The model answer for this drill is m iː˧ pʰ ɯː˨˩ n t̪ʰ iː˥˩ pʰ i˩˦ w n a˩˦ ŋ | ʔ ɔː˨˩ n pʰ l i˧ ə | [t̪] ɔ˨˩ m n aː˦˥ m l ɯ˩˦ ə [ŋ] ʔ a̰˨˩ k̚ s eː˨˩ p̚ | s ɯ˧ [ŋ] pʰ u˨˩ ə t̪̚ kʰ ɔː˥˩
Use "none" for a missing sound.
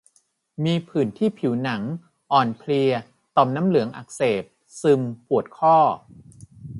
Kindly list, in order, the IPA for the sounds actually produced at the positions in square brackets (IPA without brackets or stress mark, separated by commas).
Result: t̪, ŋ, m